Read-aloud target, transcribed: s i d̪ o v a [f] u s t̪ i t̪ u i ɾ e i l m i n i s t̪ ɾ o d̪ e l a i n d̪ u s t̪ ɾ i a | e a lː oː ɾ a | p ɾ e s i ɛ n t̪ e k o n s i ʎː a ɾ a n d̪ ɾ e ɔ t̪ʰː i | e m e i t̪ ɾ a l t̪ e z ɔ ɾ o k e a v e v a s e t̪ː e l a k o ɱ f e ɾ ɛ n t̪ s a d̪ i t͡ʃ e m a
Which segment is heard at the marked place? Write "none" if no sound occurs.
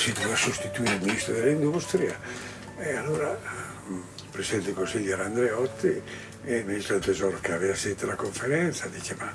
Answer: s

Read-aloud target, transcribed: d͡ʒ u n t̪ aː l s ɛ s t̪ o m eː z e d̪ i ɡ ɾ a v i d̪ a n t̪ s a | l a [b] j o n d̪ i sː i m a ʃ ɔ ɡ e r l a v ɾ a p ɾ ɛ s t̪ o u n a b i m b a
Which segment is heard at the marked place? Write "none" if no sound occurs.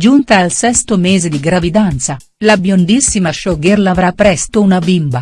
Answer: b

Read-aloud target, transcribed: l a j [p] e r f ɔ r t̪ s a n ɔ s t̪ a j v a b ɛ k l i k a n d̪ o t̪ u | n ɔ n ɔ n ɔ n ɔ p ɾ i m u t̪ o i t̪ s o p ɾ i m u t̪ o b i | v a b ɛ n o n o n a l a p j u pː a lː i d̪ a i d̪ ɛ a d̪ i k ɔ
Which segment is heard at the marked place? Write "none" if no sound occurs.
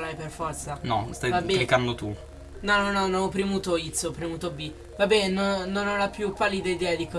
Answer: p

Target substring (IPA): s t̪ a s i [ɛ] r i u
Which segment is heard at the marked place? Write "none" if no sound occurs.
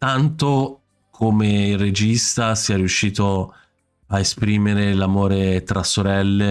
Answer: ɛ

